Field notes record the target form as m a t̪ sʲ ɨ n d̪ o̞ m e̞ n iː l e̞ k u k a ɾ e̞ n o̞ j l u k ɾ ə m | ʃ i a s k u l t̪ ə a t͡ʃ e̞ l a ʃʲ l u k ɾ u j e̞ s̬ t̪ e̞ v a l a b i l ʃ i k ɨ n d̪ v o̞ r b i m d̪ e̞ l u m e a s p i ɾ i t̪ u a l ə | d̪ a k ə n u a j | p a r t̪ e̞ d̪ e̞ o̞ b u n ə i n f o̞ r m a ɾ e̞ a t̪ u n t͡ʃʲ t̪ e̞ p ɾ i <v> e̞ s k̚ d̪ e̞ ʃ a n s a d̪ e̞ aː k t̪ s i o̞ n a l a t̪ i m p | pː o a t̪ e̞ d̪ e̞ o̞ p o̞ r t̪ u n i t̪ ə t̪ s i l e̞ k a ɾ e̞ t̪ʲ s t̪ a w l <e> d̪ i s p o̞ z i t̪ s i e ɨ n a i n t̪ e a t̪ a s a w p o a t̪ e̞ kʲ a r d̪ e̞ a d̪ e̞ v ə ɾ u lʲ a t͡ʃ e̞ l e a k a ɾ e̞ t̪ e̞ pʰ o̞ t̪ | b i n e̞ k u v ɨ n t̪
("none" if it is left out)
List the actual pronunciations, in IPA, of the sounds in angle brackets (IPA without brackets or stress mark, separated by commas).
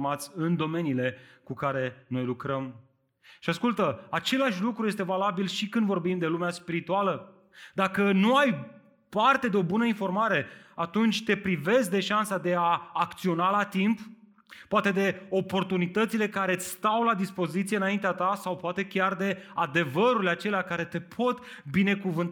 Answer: v, a